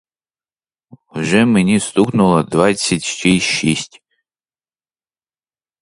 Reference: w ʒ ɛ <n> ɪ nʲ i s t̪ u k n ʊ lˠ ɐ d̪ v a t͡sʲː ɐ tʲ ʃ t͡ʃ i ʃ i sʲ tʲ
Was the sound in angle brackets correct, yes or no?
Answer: no